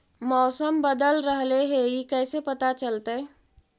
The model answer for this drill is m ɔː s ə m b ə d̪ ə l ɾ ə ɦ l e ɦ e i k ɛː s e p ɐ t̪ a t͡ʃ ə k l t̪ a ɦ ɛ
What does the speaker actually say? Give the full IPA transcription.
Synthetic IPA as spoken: m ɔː s ə m b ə d̪ ə l ɾ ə ɦ l e ɦ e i k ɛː s e p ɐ t̪ a t͡ʃ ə l t̪ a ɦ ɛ